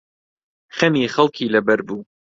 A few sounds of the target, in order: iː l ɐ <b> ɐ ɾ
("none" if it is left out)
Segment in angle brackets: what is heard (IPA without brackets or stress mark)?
b